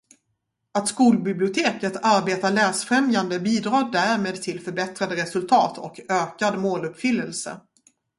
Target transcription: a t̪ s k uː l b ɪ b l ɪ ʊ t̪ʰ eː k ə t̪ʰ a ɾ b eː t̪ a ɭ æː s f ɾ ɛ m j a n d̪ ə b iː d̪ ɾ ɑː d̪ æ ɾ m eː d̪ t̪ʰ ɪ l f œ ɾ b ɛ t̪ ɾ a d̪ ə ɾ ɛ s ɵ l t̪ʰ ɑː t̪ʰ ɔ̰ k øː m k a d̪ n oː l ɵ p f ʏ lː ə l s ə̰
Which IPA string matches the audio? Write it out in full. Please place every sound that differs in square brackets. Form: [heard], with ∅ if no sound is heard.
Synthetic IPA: a t̪ s k uː l b ɪ b l ɪ ʊ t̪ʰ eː k ə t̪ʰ a ɾ b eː t̪ a ɭ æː s f ɾ ɛ m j a n d̪ ə b iː d̪ ɾ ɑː d̪ æ ɾ m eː d̪ t̪ʰ ɪ l f œ ɾ b ɛ t̪ ɾ a d̪ ə ɾ ɛ s ɵ l t̪ʰ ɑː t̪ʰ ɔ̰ k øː [∅] k a d̪ [m] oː l ɵ p f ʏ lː ə l s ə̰